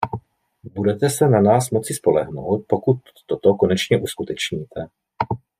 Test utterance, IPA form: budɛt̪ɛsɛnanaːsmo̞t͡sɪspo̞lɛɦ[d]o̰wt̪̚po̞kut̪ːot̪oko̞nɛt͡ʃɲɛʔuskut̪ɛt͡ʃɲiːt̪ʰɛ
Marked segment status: incorrect: n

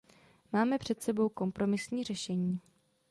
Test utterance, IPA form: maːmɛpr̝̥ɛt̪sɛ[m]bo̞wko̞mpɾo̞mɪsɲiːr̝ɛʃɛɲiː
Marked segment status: incorrect: none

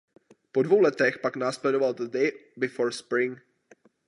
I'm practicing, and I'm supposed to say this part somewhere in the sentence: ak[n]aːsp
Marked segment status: correct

